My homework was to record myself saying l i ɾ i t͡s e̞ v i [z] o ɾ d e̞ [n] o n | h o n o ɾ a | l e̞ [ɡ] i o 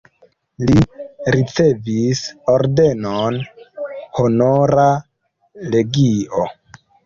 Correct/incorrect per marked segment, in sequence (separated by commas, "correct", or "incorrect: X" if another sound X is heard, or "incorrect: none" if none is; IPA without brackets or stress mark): incorrect: s, correct, correct